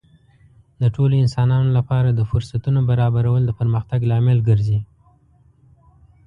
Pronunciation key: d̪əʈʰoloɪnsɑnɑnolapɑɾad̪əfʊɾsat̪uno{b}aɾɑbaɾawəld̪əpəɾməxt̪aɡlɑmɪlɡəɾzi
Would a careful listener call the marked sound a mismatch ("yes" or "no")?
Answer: no